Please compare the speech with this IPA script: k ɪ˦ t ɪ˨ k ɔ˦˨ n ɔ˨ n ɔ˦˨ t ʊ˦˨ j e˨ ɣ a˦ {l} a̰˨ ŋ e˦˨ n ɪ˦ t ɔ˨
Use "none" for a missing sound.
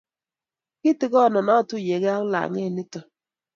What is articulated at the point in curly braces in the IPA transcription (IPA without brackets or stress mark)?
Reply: l